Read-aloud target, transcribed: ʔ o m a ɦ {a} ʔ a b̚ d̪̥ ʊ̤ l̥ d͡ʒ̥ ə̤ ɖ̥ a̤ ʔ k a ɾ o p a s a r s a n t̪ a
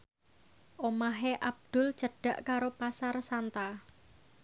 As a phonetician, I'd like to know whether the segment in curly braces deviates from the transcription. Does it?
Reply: yes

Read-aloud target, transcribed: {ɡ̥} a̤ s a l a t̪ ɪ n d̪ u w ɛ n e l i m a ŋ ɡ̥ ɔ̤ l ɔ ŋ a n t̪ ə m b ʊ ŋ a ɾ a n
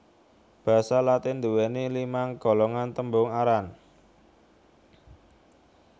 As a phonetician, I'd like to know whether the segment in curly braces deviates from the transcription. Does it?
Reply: yes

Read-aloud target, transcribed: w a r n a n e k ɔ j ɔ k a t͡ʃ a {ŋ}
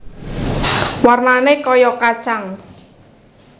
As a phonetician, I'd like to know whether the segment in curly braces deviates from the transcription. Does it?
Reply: no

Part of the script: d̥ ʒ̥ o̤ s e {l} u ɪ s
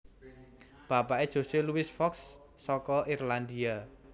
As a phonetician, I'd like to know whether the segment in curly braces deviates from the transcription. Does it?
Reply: no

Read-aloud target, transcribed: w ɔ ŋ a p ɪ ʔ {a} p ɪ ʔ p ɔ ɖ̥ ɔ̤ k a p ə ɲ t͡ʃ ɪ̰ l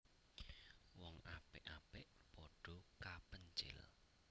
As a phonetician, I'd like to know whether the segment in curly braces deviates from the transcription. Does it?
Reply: no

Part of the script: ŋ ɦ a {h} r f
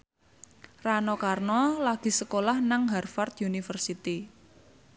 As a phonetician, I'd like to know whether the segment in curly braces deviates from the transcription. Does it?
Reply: yes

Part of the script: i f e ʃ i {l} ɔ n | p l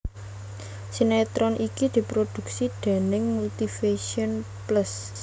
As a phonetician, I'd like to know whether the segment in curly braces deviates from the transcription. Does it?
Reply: yes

